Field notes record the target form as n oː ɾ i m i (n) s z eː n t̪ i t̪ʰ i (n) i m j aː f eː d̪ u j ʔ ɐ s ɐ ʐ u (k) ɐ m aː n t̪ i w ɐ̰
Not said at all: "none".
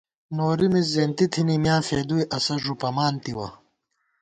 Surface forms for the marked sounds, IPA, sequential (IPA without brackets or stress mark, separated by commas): none, n, p